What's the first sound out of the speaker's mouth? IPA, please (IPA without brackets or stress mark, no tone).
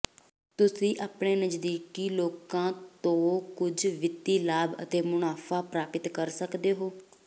t̪